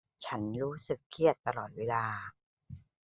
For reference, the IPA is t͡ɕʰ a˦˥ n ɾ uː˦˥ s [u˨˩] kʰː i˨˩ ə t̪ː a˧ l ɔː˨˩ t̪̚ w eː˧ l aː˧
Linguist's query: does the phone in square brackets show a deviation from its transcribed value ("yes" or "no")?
yes